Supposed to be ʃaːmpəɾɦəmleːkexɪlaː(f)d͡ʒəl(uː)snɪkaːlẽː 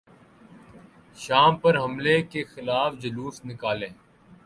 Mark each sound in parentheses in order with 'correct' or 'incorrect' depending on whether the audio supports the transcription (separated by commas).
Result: correct, correct